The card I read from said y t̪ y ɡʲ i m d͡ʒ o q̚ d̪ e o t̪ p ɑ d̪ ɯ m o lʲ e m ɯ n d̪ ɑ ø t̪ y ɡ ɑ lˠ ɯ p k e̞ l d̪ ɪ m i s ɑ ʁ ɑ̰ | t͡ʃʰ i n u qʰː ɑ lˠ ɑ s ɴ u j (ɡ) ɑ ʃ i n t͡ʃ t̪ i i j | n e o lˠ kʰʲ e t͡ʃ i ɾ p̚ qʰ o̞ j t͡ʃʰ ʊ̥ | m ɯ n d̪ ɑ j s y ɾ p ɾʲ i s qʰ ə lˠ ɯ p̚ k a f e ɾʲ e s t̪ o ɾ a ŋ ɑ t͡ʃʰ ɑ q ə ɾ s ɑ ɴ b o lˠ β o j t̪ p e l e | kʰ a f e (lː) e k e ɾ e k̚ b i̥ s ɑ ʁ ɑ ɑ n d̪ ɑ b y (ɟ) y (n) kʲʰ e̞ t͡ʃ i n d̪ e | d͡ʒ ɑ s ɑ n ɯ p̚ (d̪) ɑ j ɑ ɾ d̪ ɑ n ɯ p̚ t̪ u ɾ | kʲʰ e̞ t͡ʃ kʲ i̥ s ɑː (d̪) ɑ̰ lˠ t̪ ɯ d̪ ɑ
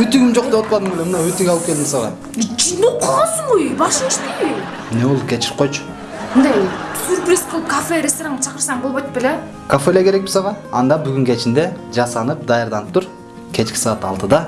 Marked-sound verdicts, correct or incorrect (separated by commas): incorrect, incorrect, incorrect, incorrect, correct, incorrect